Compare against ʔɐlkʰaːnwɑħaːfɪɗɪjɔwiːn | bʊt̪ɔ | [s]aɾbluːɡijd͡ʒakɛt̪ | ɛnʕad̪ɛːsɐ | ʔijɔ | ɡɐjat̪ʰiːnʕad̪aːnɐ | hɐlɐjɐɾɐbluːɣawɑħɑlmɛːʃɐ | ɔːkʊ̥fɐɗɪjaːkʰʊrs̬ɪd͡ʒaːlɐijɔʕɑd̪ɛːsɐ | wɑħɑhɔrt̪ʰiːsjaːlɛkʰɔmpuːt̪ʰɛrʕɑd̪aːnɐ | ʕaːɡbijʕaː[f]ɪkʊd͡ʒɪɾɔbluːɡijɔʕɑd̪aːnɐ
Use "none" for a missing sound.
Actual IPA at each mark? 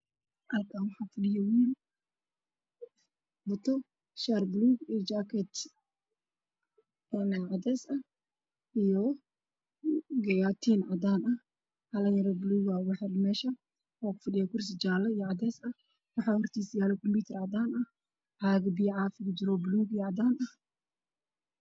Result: ʃ, f

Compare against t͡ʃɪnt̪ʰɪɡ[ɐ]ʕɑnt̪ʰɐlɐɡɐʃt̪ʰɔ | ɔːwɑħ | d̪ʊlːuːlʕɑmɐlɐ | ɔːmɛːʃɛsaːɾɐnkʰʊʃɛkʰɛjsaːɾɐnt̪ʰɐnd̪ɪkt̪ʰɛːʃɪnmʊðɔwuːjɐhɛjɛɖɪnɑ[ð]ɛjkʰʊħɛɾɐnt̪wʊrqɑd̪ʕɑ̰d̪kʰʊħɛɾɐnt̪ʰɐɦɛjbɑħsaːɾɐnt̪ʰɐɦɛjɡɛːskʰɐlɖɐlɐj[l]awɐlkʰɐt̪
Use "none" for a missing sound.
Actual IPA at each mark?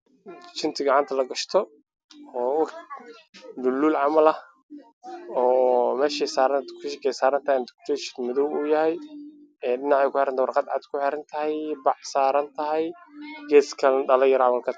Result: ɑ, ʕ, ɾ

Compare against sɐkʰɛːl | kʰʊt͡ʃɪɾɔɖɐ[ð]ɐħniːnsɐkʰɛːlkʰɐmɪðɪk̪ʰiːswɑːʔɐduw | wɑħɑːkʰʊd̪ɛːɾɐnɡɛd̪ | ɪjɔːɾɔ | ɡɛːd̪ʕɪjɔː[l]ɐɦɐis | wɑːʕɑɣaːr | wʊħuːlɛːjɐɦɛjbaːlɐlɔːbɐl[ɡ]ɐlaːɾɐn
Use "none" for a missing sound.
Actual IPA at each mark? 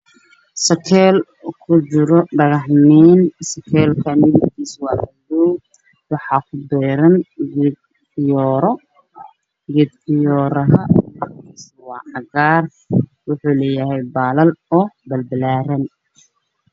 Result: ɣ, ɾ, b

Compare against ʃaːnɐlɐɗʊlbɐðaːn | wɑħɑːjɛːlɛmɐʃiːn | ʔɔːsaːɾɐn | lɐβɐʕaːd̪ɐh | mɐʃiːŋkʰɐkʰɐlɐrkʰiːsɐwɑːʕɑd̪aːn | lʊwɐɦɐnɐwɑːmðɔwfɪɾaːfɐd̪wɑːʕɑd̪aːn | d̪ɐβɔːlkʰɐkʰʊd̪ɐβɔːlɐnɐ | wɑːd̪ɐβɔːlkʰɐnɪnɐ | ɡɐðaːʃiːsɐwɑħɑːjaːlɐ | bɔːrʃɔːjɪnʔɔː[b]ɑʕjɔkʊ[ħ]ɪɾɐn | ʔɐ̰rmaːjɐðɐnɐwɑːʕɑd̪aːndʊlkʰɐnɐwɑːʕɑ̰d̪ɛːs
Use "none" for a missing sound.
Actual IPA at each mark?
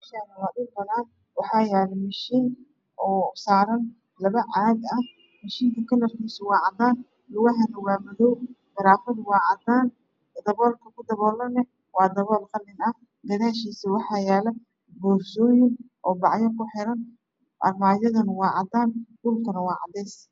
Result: b, ħ

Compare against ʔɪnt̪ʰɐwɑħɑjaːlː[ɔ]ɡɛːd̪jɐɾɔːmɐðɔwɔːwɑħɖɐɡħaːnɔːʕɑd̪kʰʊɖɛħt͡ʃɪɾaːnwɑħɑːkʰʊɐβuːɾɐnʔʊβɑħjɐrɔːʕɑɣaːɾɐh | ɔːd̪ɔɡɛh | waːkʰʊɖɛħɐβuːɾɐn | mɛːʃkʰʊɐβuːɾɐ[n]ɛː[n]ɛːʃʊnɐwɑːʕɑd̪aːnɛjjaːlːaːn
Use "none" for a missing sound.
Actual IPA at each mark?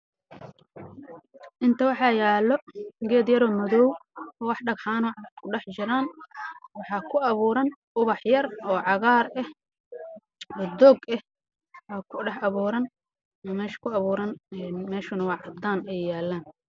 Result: ɔ, n, m

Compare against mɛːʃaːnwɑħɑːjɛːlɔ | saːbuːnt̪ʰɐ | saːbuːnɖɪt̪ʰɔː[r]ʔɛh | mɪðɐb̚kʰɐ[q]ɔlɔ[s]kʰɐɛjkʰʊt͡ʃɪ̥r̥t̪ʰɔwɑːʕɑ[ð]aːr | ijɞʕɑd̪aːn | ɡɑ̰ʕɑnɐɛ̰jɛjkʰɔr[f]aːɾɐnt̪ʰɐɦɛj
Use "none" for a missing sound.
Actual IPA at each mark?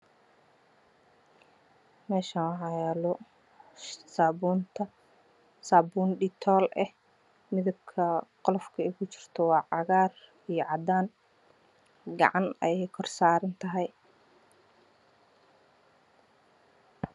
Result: l, q, f, ɣ, s

